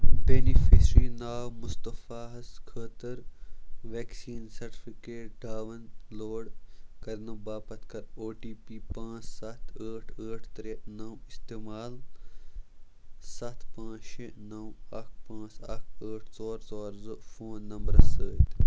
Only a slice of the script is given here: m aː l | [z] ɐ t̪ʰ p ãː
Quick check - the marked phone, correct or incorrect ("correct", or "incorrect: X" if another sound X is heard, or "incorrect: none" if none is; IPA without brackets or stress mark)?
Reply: incorrect: s